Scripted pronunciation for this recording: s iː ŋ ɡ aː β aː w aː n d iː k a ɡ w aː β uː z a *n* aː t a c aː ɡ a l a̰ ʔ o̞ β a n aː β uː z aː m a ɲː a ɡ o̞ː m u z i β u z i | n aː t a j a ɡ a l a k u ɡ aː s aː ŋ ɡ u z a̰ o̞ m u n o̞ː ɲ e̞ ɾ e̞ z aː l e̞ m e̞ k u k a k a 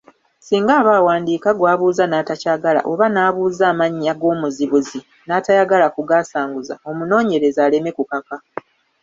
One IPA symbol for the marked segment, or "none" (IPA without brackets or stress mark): n